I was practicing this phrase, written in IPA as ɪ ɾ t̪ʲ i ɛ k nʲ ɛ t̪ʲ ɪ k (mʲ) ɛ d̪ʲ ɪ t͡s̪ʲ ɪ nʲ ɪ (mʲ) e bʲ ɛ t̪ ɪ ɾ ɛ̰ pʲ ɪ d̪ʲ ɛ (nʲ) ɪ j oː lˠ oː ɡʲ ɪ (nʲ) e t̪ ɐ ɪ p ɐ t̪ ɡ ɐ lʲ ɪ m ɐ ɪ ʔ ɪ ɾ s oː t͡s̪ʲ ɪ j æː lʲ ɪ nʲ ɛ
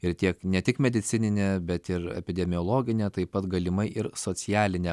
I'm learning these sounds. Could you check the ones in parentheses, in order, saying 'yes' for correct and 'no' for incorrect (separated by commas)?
yes, no, no, yes